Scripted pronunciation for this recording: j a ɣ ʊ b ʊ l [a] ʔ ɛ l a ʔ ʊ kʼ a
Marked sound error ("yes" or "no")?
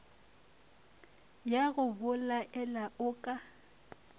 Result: no